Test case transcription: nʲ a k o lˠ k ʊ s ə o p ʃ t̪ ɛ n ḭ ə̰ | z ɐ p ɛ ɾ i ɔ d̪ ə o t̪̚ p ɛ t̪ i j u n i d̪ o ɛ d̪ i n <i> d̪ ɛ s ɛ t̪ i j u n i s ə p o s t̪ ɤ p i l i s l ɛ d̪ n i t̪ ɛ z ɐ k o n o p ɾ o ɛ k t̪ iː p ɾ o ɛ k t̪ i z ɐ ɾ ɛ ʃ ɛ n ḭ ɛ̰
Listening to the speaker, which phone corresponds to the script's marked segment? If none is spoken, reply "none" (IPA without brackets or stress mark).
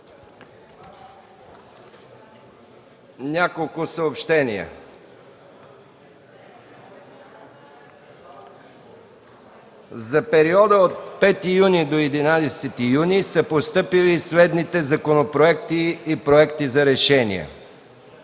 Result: a